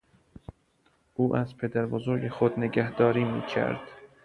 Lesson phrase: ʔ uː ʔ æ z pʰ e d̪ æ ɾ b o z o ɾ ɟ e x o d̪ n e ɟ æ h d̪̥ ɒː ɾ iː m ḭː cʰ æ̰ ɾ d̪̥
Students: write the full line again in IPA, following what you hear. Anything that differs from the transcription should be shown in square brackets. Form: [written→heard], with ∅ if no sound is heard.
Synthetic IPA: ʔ uː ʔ æ z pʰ e d̪ æ ɾ b o z o ɾ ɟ e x o d̪ n e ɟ æ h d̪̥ ɒː ɾ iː m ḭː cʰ æ̰ ɾ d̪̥